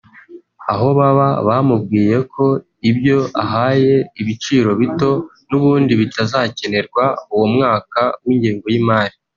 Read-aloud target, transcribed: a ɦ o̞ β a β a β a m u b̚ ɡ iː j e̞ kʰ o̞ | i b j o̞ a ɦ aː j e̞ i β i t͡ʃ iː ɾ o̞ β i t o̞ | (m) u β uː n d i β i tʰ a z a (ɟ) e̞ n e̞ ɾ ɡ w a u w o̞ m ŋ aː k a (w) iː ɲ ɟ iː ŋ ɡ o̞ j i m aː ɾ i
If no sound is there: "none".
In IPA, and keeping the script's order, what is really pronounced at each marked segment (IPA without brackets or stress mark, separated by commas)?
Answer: n, c, w